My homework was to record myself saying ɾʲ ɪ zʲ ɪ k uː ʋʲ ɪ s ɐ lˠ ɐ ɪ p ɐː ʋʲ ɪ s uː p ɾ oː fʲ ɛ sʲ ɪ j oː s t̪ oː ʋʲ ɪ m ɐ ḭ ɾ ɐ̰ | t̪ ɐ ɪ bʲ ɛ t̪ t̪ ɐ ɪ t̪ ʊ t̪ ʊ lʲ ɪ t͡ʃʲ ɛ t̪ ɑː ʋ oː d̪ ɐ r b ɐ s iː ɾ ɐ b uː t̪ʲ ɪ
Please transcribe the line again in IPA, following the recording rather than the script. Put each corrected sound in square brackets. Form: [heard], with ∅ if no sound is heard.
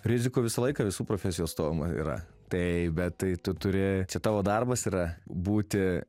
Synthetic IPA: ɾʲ ɪ zʲ ɪ k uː ʋʲ ɪ s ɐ lˠ ɐ ɪ [k] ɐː ʋʲ ɪ s uː p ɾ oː fʲ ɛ sʲ ɪ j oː s t̪ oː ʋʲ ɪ m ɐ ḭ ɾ ɐ̰ | t̪ ɐ ɪ bʲ ɛ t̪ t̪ ɐ ɪ t̪ ʊ t̪ ʊ [ɾʲ] ɪ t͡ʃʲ ɛ t̪ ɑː ʋ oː d̪ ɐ r b ɐ s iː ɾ ɐ b uː t̪ʲ ɪ

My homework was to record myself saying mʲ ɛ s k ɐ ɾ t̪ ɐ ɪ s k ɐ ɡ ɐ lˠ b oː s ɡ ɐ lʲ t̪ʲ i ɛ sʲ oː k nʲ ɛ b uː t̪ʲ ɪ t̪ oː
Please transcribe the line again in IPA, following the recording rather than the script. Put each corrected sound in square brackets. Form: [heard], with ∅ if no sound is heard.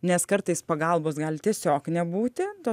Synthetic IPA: [nʲ] ɛ s k ɐ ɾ t̪ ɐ ɪ s [p] ɐ ɡ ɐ lˠ b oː s ɡ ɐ lʲ t̪ʲ i ɛ sʲ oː k nʲ ɛ b uː t̪ʲ ɪ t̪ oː

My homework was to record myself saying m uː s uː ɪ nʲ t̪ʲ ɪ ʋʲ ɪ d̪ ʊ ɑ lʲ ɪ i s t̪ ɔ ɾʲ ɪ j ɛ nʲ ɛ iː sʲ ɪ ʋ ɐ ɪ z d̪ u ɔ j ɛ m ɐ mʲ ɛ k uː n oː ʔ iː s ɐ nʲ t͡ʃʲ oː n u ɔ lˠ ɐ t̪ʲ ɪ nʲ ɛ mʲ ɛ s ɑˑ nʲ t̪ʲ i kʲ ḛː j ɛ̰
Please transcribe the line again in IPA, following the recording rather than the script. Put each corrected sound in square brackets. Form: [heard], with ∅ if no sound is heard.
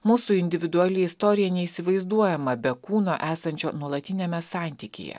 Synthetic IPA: m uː s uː ɪ nʲ [d̪ʲ] ɪ ʋʲ ɪ d̪ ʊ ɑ lʲ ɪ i s t̪ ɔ ɾʲ ɪ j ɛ nʲ ɛ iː sʲ ɪ ʋ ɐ ɪ z d̪ u ɔ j ɛ m ɐ [bʲ] ɛ k uː n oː ʔ [æː] s ɐ nʲ t͡ʃʲ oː n u ɔ lˠ ɐ t̪ʲ ɪ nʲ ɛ mʲ ɛ s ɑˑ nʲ t̪ʲ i kʲ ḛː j ɛ̰

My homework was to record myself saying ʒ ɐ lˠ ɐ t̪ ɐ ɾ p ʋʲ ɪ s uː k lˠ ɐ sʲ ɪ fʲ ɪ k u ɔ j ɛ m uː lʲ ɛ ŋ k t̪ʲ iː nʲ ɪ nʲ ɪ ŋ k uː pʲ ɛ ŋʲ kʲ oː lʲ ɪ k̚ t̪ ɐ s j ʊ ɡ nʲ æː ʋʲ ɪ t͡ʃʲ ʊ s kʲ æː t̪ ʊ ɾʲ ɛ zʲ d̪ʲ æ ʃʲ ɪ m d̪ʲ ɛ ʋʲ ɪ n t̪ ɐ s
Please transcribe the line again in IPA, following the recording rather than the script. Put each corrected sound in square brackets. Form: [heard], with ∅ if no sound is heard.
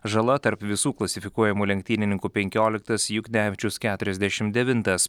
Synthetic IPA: ʒ ɐ lˠ ɐ t̪ ɐ ɾ p ʋʲ ɪ s uː k lˠ ɐ sʲ ɪ fʲ ɪ k u ɔ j ɛ m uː lʲ ɛ ŋ k t̪ʲ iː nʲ ɪ nʲ ɪ ŋ k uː pʲ ɛ ŋʲ kʲ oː lʲ ɪ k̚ t̪ ɐ s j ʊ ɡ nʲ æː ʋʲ ɪ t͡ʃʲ ʊ s kʲ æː t̪ ʊ ɾʲ ɛ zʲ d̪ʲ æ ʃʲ ɪ m d̪ʲ ɛ ʋʲ ɪ n t̪ ɐ s

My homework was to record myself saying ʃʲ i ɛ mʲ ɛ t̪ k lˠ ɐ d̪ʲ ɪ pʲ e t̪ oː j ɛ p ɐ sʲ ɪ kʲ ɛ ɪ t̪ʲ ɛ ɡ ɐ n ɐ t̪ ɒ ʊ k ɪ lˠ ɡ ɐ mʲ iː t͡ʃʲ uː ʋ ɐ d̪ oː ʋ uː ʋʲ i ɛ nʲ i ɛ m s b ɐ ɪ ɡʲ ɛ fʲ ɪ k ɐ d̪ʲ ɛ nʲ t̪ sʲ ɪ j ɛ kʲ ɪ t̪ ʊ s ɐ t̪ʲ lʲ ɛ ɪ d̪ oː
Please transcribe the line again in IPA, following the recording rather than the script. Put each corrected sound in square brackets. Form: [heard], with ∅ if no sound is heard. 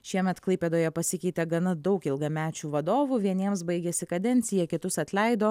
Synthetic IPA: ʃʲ i ɛ mʲ ɛ t̪ k lˠ ɐ [∅] ɪ pʲ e [d̪] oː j ɛ p ɐ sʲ ɪ kʲ ɛ ɪ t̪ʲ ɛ ɡ ɐ n ɐ [d̪] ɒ ʊ k ɪ lˠ ɡ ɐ mʲ [æː] t͡ʃʲ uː ʋ ɐ d̪ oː ʋ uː ʋʲ i ɛ nʲ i ɛ m s b ɐ ɪ ɡʲ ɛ [sʲ] ɪ k ɐ d̪ʲ ɛ nʲ t̪ sʲ ɪ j ɛ kʲ ɪ t̪ ʊ s ɐ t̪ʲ lʲ ɛ ɪ d̪ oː

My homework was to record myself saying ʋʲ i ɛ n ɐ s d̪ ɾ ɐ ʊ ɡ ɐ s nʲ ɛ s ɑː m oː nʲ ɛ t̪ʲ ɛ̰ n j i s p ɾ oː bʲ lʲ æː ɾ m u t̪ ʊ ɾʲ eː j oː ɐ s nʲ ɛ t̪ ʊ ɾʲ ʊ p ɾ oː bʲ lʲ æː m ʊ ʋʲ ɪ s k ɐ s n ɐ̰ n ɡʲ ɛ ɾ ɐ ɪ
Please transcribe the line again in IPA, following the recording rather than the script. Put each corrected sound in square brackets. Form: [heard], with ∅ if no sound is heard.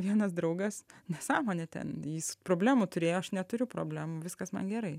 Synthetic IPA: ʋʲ i ɛ n ɐ s d̪ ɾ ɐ ʊ ɡ ɐ s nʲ ɛ s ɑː m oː nʲ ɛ t̪ʲ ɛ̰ n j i s p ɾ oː bʲ lʲ æː [∅] m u t̪ ʊ ɾʲ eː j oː ɐ [ʃ] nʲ ɛ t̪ ʊ ɾʲ ʊ p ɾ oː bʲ lʲ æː m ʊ ʋʲ ɪ s k ɐ s [m] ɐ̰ n ɡʲ ɛ ɾ ɐ ɪ

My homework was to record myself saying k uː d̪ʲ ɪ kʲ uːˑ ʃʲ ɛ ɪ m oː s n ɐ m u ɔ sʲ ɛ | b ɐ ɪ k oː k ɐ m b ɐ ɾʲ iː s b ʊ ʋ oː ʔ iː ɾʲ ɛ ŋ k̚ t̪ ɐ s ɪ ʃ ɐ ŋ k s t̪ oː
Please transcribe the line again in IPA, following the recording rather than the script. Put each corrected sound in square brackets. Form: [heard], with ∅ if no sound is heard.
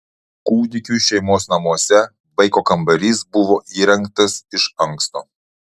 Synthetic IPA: k uː d̪ʲ ɪ kʲ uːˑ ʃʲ ɛ ɪ m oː s n ɐ m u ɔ sʲ ɛ | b ɐ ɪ k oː k ɐ m b ɐ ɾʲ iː s b ʊ ʋ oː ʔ iː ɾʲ ɛ ŋ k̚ t̪ ɐ s ɪ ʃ ɐ ŋ k s t̪ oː

